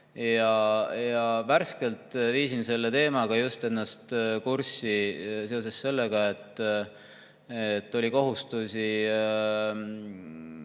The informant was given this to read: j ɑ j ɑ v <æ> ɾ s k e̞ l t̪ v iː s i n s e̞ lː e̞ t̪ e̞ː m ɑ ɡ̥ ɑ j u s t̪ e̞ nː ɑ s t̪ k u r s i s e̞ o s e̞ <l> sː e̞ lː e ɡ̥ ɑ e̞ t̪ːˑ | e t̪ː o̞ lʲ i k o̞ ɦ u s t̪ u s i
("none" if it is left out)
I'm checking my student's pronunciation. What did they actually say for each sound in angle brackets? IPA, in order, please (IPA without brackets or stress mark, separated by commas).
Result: æ, none